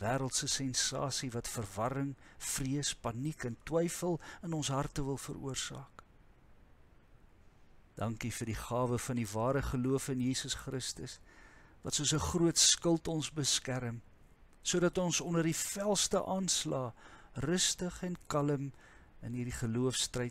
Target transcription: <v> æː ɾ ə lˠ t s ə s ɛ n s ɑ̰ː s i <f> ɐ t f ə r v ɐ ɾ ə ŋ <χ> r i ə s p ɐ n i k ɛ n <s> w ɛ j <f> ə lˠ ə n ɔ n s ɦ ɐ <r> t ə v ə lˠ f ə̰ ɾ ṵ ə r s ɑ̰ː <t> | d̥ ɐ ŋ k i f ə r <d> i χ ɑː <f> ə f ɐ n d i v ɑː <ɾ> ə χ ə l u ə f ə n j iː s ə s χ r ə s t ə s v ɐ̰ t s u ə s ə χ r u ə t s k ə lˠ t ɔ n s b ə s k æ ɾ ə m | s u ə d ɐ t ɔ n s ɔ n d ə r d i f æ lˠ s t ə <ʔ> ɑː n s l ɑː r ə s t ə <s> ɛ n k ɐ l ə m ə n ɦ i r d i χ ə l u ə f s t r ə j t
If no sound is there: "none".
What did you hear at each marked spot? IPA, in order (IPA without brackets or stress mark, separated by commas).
v, v, f, t, f, r, k, d, v, ɾ, ʔ, χ